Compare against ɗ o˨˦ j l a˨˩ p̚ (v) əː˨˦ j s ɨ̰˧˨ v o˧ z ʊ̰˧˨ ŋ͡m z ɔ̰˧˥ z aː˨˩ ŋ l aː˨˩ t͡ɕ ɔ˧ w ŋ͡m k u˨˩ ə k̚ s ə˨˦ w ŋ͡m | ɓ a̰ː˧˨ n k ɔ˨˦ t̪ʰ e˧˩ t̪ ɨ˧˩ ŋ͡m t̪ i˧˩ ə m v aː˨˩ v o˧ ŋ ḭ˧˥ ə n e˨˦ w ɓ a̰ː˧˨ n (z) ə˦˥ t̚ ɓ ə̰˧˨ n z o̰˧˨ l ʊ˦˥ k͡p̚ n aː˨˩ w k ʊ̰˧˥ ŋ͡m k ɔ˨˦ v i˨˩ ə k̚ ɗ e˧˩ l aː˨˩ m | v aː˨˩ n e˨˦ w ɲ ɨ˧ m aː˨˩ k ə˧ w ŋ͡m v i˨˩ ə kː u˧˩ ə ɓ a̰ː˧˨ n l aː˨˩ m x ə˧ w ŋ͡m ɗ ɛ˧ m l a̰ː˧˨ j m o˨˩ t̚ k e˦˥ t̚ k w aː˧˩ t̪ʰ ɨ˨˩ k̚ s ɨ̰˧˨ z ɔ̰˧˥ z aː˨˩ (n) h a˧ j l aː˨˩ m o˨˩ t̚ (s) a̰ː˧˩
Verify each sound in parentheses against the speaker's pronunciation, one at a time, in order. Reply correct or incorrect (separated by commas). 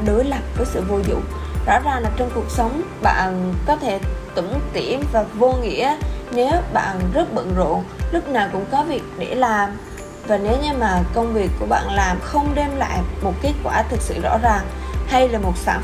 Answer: correct, correct, incorrect, correct